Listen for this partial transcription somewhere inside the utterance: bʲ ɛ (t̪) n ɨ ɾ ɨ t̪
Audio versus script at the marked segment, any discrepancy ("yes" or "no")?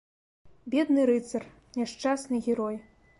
yes